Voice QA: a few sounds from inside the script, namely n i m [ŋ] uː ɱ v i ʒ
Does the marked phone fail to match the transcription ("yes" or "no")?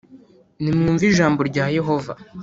no